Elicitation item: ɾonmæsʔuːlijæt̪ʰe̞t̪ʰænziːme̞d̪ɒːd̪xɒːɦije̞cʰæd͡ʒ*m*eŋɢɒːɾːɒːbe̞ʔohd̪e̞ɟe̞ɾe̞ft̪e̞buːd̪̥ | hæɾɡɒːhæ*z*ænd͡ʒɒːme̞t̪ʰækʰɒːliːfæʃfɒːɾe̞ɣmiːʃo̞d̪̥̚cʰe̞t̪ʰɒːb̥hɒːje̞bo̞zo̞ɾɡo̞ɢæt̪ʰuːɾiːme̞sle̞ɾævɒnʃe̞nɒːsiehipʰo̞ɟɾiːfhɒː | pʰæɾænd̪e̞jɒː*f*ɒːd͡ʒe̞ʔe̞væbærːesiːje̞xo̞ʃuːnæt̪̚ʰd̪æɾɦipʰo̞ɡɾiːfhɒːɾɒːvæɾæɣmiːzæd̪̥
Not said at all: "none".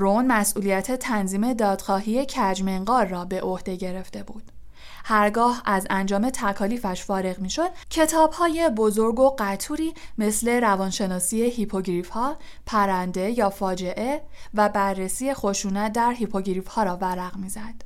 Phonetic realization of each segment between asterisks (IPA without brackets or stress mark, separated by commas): m, z, f